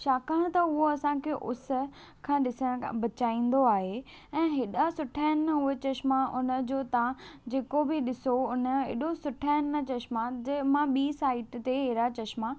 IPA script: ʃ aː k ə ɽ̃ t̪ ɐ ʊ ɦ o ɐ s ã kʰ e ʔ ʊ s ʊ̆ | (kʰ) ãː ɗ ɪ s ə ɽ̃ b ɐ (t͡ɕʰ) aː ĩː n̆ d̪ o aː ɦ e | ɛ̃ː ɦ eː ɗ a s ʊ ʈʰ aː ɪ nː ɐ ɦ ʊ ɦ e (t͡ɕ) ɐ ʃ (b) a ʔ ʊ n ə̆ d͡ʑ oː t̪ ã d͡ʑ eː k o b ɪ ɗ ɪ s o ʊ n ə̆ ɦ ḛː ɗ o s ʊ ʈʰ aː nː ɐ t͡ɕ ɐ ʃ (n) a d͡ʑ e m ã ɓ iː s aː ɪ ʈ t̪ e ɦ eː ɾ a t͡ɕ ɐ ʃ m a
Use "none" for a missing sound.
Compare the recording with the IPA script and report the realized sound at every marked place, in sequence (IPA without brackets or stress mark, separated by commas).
kʰ, t͡ɕ, t͡ɕ, m, m